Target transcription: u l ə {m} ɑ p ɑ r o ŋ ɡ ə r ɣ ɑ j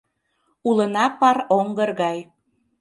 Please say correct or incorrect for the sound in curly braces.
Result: incorrect